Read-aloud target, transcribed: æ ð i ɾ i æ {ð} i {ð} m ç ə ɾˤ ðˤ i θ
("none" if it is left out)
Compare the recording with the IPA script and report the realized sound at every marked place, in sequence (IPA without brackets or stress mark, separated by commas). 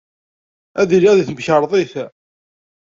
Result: ð, θ